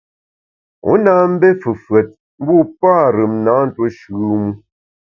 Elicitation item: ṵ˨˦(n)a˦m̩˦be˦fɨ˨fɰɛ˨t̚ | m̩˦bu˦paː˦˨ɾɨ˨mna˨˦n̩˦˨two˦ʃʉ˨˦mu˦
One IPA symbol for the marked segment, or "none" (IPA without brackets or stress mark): n